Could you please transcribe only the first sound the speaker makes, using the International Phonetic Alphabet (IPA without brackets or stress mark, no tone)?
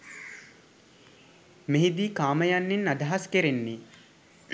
m